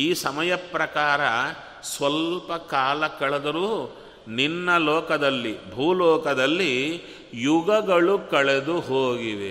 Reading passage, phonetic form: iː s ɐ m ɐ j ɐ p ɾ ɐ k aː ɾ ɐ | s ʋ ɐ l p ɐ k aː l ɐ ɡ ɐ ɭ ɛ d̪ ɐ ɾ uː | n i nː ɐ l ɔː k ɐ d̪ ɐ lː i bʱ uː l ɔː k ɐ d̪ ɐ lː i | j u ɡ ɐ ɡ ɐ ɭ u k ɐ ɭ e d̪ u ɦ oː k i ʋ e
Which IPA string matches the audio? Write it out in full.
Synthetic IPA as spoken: iː s ɐ m ɐ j ɐ p ɾ ɐ k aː ɾ ɐ | s ʋ ɐ l p ɐ k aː l ɐ k ɐ ɭ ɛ d̪ ɐ ɾ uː | n i nː ɐ l ɔː k ɐ d̪ ɐ lː i bʱ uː l ɔː k ɐ d̪ ɐ lː i | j u ɡ ɐ ɡ ɐ ɭ u k ɐ ɭ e d̪ u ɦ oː ɡ i ʋ e